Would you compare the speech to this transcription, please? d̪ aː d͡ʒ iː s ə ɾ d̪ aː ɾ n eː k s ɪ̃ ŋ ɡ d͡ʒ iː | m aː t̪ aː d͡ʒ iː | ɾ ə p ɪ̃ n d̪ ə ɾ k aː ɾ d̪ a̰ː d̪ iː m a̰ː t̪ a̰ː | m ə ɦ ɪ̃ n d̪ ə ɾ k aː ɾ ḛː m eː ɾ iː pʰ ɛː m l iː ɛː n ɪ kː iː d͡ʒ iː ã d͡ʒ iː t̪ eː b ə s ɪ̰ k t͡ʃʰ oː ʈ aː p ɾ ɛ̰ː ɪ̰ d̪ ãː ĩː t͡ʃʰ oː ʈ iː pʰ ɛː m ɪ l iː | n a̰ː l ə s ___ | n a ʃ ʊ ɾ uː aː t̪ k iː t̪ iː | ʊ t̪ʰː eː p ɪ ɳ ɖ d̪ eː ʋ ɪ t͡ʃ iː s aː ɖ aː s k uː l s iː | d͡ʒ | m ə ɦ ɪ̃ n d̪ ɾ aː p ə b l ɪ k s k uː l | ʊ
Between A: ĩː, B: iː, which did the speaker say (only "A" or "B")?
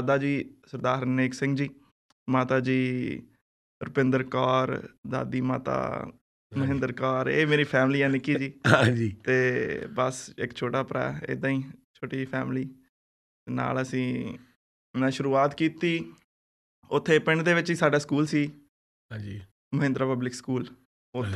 A